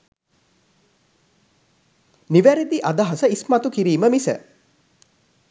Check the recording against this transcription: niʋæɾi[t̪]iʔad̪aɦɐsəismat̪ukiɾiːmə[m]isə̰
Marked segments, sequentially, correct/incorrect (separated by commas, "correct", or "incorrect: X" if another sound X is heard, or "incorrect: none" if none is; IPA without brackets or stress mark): incorrect: d̪, correct